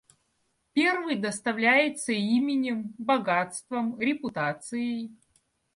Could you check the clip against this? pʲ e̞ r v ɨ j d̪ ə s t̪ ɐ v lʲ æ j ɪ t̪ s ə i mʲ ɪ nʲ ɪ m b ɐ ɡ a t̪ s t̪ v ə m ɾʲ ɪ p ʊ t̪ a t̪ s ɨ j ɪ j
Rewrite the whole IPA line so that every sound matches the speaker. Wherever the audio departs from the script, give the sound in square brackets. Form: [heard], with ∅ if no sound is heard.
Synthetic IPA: pʲ e̞ r v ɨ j d̪ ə s t̪ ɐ v lʲ æ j ɪ t̪ s ə i mʲ ɪ nʲ ɪ m b ɐ ɡ a t̪ s t̪ v ə m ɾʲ ɪ p ʊ t̪ a t̪ s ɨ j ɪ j